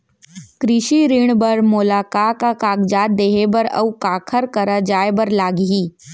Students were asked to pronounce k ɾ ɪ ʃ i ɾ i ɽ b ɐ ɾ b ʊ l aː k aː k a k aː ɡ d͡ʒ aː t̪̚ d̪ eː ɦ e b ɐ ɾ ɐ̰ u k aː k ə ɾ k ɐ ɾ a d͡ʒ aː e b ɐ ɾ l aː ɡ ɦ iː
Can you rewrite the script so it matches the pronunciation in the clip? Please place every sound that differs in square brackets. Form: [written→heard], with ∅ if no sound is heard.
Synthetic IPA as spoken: k ɾ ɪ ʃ i ɾ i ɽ b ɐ ɾ [b→m] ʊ l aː k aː k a k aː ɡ d͡ʒ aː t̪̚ d̪ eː ɦ e b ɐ ɾ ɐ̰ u k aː [k→kʰ] ə ɾ k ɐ ɾ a d͡ʒ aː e b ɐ ɾ l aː ɡ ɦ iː